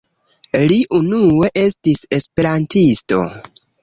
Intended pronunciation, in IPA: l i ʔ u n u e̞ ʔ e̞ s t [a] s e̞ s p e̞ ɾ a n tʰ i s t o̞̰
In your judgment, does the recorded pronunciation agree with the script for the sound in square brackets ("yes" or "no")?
no